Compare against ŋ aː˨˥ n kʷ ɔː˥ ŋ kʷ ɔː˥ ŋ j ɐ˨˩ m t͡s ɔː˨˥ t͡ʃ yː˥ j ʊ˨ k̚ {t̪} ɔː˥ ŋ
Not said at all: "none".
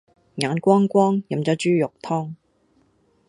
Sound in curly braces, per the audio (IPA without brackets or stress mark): t̪ʰ